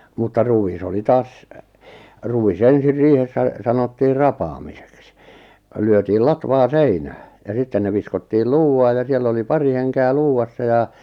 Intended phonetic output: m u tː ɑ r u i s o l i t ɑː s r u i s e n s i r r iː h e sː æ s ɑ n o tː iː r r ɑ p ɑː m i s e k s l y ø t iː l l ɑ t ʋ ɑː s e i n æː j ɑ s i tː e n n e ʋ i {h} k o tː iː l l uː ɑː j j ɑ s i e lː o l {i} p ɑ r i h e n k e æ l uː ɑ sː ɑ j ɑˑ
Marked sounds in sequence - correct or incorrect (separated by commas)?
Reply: incorrect, correct